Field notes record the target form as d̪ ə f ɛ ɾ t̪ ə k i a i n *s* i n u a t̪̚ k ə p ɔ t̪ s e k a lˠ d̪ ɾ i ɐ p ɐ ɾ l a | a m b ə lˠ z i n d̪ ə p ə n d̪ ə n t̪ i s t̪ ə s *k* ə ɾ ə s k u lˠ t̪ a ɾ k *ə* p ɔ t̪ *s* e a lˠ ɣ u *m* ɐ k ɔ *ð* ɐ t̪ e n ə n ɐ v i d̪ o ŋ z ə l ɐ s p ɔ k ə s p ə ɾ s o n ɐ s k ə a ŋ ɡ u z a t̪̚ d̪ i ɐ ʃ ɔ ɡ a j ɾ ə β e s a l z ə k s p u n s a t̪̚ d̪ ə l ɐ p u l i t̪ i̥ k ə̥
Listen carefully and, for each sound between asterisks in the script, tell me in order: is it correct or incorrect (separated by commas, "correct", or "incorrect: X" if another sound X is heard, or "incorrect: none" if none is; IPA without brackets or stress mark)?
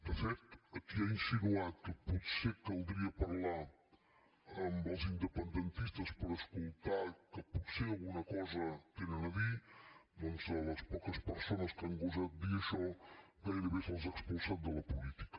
correct, incorrect: p, correct, correct, incorrect: n, incorrect: z